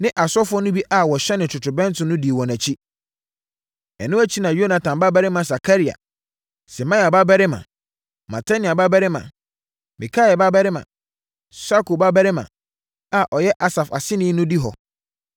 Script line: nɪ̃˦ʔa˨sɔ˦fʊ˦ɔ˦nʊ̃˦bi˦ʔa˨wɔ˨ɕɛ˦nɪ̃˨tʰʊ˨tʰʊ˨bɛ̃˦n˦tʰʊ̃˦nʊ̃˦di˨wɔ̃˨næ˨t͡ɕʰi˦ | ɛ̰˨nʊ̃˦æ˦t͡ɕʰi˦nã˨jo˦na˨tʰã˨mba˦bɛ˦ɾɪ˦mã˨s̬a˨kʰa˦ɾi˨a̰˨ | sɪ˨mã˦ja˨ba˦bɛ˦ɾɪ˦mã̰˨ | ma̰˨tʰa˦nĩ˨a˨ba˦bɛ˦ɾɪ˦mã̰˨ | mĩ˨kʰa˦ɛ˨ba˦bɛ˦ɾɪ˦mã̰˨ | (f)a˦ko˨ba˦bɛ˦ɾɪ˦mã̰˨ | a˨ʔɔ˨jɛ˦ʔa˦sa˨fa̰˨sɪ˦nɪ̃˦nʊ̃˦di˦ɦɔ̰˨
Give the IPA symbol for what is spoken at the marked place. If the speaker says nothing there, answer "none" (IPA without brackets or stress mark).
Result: s